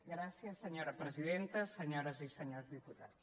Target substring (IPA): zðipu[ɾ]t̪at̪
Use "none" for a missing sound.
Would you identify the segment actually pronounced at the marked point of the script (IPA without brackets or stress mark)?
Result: none